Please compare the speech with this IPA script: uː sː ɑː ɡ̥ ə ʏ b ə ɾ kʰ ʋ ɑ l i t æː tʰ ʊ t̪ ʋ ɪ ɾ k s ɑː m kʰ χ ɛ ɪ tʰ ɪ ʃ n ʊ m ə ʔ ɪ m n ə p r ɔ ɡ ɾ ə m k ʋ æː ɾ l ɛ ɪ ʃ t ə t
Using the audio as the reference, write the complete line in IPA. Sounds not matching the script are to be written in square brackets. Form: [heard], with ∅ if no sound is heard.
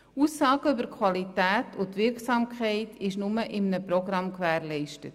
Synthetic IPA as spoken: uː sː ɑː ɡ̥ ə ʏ b ə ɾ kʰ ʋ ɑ l i t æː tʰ ʊ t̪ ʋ ɪ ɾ k s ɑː m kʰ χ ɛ ɪ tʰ ɪ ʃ n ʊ m ə ʔ ɪ m n ə p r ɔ ɡ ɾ [ɑ] m k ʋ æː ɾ l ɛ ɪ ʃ t ə t